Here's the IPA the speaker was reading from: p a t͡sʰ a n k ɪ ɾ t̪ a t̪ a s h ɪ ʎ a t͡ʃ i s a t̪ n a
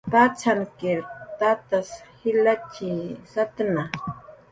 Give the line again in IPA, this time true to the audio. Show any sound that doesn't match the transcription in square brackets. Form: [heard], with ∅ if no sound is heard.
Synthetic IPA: p a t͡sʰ a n k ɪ ɾ t̪ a t̪ a s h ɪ [l] a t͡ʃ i s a t̪ n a